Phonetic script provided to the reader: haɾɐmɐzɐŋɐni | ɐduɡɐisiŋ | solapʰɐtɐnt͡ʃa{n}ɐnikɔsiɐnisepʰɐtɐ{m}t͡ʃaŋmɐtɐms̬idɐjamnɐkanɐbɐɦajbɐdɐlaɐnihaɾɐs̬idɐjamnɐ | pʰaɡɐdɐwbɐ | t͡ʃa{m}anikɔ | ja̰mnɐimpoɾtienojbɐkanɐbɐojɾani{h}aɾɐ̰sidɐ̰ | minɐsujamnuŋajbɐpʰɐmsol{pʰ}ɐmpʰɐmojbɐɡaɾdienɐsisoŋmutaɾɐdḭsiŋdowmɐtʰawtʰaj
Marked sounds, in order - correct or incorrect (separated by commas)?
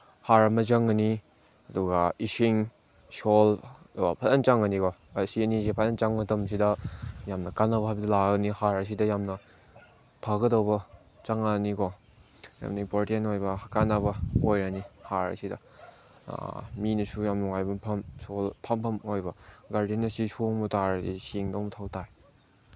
incorrect, incorrect, incorrect, correct, correct